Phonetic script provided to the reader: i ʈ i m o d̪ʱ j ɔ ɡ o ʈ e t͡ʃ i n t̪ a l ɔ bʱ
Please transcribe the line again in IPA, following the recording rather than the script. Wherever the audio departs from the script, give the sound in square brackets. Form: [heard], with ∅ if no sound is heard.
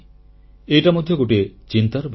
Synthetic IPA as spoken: [e] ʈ [a] m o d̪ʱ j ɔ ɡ o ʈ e t͡ʃ i n t̪ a [ɾ] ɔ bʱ